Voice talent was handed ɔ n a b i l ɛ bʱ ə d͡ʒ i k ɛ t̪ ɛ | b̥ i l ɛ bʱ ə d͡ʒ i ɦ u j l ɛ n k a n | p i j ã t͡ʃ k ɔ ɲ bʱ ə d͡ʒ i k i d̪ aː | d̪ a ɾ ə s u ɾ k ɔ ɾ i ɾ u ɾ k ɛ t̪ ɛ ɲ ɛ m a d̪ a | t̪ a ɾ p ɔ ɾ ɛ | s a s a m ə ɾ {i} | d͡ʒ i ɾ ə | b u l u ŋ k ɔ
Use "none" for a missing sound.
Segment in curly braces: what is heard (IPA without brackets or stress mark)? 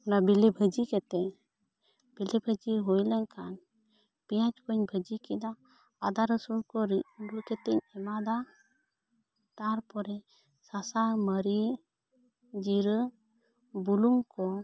i